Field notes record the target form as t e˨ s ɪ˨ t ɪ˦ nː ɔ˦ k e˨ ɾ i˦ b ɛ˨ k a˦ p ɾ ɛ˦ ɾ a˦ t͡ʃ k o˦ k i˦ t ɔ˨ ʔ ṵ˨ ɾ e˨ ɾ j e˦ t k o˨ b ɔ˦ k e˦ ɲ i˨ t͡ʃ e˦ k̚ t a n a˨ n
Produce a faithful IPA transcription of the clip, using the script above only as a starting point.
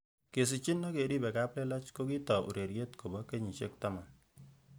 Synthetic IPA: k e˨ s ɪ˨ t͡ʃ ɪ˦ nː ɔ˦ k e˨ ɾ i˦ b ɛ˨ k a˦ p l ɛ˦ l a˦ t͡ʃ k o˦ k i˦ t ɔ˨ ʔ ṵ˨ ɾ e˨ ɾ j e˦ t k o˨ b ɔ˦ k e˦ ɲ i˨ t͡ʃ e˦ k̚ t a m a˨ n

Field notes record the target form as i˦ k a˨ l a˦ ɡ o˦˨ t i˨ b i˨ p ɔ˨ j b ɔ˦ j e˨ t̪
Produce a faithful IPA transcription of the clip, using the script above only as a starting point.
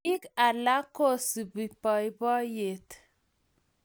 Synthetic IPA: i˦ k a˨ l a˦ k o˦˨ s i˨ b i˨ p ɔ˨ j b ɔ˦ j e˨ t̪

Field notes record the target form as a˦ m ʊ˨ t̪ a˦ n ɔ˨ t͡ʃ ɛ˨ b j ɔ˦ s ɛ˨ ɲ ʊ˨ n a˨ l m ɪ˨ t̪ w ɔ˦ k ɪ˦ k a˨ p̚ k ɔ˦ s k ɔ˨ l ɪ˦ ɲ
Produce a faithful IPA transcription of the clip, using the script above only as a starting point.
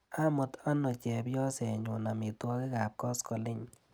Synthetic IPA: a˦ m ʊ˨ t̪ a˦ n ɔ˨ t͡ʃ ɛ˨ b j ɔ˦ s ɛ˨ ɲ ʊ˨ n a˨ m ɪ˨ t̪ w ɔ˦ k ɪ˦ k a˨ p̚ k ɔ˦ s k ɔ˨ l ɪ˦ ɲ

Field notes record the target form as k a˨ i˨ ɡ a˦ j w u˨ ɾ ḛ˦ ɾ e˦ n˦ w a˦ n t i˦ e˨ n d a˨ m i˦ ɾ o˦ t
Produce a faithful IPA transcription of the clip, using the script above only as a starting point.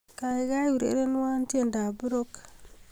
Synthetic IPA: k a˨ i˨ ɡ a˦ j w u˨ ɾ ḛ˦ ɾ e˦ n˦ w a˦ n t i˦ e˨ n d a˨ b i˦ ɾ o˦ k

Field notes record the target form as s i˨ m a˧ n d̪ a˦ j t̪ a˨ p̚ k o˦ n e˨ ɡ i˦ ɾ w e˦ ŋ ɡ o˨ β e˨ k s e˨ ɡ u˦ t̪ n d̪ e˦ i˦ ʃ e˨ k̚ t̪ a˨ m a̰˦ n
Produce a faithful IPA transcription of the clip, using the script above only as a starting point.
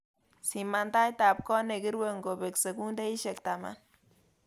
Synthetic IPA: s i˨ m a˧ n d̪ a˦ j t̪ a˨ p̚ k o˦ n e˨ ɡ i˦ ɾ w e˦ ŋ ɡ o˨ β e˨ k s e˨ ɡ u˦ n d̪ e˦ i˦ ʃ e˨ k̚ t̪ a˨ m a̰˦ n

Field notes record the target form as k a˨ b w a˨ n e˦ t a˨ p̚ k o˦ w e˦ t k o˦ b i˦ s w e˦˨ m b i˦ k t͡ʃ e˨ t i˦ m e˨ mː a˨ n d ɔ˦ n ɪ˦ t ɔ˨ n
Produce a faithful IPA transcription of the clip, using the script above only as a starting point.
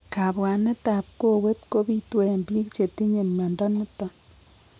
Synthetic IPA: k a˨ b w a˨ n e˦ t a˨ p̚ k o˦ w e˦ t k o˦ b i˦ t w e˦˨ m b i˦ k t͡ʃ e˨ t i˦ ɲ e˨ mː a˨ n d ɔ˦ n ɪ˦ t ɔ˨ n

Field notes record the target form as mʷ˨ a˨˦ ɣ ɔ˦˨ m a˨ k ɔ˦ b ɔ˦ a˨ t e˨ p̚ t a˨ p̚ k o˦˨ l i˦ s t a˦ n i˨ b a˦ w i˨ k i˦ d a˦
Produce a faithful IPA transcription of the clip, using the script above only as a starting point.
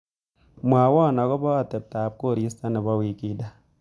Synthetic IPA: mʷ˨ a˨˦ w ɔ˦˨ n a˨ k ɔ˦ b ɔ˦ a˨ t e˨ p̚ t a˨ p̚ k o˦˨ ɾ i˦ s t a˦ n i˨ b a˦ w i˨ k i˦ d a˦

